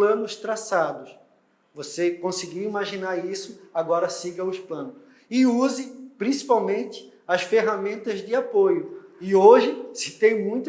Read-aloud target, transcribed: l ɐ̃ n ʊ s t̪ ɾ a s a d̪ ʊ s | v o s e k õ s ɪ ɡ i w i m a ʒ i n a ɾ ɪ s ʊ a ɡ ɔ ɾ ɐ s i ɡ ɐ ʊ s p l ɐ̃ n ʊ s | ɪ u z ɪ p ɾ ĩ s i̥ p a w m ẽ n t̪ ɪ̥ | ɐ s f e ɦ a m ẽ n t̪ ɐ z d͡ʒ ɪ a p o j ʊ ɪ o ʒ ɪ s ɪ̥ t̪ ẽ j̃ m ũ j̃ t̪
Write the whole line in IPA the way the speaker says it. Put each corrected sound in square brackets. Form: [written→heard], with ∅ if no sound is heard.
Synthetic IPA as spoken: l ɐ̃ n ʊ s t̪ ɾ a s a d̪ ʊ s | v o s e k õ s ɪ ɡ i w i m a ʒ i n a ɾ [ɪ→i] s ʊ a ɡ ɔ ɾ ɐ s i ɡ ɐ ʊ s p l ɐ̃ n ʊ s | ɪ u z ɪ p ɾ ĩ s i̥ p a w m ẽ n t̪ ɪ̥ | ɐ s f e ɦ a m ẽ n t̪ ɐ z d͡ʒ ɪ a p o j ʊ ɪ o ʒ ɪ s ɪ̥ t̪ ẽ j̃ m ũ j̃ t̪